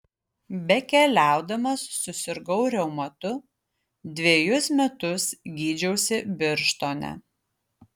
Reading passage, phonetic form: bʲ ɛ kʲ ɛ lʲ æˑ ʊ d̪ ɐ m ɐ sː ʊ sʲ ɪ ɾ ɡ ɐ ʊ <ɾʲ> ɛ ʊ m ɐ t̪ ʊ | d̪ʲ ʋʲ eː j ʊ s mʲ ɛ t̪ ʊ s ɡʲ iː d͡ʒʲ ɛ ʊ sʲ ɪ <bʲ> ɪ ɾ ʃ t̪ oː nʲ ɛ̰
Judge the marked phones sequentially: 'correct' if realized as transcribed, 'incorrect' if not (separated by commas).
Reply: correct, correct